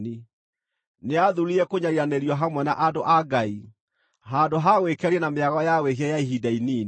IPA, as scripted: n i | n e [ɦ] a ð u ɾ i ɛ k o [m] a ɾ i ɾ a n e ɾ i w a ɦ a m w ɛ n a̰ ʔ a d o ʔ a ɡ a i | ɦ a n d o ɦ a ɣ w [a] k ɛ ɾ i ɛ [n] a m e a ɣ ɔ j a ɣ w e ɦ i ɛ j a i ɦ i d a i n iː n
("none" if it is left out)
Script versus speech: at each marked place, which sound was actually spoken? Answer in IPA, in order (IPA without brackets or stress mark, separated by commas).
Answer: none, ɲ, e, n